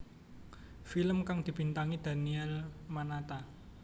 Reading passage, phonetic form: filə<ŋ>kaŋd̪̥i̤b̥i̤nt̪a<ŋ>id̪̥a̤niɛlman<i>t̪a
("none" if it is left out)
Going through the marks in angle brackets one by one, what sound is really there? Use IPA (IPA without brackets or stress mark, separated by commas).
m, ŋ, a